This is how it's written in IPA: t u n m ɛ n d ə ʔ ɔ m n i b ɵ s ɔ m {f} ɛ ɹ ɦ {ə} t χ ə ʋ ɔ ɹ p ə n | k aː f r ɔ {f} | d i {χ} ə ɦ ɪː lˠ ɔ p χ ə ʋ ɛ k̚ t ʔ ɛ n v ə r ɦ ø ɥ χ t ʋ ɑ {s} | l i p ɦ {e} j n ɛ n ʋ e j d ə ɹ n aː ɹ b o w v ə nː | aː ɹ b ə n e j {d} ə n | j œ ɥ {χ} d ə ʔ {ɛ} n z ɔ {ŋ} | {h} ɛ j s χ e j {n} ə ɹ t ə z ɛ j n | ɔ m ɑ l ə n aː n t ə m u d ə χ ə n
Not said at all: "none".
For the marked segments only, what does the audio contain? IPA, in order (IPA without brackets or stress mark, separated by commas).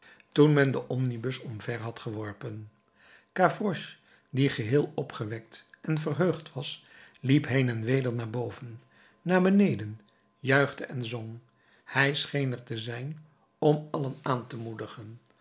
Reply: v, ɑ, ʃ, χ, s, e, d, χ, ɛ, ŋ, h, n